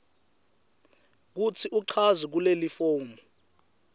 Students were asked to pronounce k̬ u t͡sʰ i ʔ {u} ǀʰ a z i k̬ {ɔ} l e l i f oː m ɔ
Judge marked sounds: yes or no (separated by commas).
yes, no